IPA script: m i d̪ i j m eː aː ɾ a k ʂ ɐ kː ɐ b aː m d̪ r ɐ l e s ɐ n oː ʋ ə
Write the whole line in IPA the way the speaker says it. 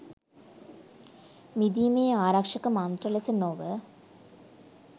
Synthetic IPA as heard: m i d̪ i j m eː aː ɾ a k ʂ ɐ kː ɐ m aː n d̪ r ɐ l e s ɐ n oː ʋ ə